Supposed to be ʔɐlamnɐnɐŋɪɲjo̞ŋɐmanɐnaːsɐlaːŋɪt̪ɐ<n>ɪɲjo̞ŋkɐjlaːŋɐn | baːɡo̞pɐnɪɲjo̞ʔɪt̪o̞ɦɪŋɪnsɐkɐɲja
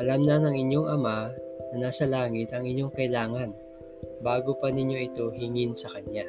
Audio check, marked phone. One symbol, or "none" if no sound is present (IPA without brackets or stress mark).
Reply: ŋ